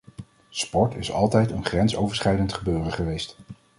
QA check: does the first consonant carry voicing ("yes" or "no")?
no